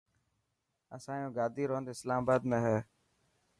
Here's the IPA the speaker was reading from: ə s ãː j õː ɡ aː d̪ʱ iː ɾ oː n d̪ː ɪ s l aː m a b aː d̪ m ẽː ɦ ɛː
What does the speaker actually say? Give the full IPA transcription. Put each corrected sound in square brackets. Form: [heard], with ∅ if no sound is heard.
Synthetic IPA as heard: ə s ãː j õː ɡ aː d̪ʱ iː ɾ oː n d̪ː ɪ s l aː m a b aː d̪ m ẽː ɦ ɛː